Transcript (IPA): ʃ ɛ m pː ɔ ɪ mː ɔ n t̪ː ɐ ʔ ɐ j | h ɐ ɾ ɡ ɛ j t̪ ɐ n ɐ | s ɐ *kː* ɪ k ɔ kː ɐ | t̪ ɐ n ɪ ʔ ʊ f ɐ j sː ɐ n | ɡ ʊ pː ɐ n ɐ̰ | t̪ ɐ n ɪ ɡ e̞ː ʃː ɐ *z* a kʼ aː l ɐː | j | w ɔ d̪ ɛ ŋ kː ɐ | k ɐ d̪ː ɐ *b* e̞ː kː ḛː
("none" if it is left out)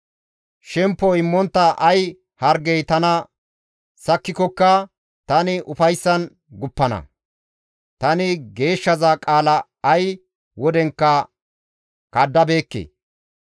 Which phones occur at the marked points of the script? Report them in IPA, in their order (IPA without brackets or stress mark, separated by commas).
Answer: kː, z, b